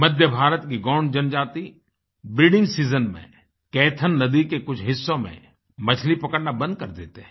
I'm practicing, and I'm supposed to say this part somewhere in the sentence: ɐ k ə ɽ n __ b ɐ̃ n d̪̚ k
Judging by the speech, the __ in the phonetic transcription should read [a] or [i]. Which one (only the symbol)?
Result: a